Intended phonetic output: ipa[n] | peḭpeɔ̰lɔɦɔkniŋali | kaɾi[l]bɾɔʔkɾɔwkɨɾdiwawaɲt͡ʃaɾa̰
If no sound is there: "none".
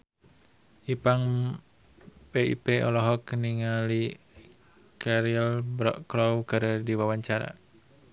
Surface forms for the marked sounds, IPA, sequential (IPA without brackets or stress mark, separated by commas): ŋ, l